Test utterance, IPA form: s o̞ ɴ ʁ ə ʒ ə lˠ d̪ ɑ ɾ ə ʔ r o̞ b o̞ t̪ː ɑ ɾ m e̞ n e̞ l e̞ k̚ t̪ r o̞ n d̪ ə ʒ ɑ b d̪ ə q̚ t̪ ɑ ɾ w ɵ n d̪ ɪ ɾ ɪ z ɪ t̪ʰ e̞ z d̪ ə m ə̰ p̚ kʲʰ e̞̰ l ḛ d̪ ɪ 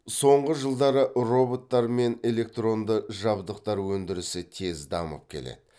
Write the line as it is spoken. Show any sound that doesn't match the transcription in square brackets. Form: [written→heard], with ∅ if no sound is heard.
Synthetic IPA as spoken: s o̞ ɴ ʁ ə ʒ ə lˠ d̪ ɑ ɾ ə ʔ r o̞ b o̞ t̪ː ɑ ɾ m e̞ n e̞ l e̞ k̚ t̪ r o̞ n d̪ ə ʒ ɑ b d̪ ə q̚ t̪ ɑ ɾ w ɵ n d̪ ɪ ɾ ɪ [z→s] ɪ t̪ʰ e̞ z d̪ [ə→ɑ] m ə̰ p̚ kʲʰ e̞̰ l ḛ d̪ ɪ